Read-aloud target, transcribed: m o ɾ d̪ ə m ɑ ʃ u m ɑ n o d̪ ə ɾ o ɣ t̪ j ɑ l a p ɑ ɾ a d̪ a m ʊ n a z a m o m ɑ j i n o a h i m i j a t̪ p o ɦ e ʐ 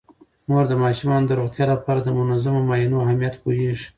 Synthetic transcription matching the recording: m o ɾ d̪ ə m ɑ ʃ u m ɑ n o d̪ ə ɾ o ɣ t̪ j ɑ l a p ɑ ɾ a d̪ ə m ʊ n a z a m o m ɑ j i n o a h a m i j a t̪ p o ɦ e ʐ